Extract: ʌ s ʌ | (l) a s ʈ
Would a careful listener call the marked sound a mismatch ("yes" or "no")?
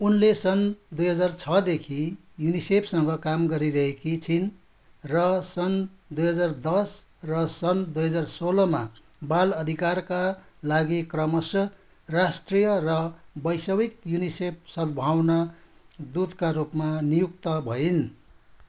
yes